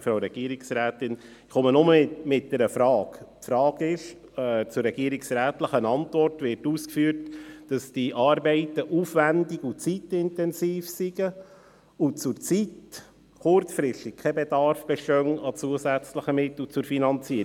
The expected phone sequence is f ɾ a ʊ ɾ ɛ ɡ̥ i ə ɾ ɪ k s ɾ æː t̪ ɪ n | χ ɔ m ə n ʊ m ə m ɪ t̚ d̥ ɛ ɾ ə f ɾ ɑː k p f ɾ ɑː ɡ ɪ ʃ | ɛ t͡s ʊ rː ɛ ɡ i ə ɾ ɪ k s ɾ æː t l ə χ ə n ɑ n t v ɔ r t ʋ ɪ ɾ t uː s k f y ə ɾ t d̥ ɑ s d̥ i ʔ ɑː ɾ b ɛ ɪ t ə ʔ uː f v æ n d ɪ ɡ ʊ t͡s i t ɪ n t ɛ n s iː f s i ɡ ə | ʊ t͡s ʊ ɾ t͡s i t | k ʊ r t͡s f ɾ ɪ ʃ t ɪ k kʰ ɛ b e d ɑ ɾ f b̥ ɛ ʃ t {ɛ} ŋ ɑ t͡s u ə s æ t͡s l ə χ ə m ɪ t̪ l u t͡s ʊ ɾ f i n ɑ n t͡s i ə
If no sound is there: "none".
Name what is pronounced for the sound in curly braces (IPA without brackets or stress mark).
œ